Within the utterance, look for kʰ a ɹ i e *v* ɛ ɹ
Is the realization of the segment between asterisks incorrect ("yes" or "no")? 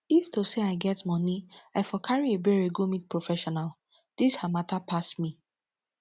yes